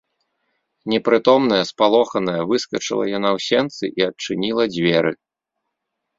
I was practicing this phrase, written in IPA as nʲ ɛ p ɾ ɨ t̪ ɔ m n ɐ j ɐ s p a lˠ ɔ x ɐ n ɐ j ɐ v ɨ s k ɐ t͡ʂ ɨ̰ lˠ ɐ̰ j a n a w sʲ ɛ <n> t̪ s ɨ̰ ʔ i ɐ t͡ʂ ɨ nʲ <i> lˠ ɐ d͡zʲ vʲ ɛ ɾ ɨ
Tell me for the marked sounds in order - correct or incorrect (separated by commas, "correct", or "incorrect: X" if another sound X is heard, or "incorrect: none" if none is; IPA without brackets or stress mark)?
correct, correct